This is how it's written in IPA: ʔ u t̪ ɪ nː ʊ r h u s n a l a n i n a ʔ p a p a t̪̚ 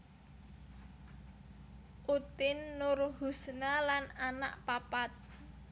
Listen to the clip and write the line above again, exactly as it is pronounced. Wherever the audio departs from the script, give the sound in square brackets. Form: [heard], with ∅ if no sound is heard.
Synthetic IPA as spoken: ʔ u t̪ ɪ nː ʊ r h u s n a l a n [a] n a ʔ p a p a t̪̚